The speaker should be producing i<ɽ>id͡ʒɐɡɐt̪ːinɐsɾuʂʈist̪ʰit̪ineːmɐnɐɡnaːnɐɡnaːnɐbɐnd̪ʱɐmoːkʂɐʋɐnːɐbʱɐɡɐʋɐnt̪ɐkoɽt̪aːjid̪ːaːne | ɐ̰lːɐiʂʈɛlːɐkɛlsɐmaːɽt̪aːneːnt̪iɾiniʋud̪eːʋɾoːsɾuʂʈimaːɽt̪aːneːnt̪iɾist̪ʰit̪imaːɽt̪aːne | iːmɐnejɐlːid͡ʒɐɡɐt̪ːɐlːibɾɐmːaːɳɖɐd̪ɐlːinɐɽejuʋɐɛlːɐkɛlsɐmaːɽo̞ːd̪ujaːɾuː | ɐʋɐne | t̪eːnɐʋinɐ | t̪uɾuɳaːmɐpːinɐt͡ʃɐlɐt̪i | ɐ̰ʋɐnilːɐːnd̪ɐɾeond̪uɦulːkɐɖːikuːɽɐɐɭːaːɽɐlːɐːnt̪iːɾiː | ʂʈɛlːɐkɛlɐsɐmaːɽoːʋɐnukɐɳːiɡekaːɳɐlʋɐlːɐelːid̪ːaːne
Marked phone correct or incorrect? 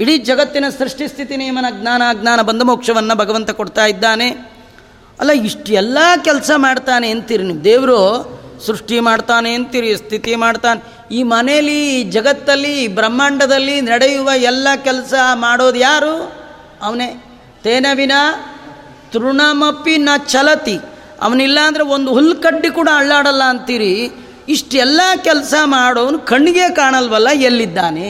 correct